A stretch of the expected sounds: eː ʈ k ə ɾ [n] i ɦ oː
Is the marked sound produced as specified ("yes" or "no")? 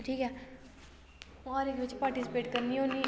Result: yes